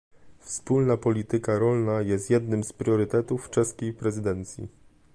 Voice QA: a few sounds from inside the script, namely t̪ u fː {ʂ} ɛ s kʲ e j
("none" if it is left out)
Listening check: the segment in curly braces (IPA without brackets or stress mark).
t͡ʂ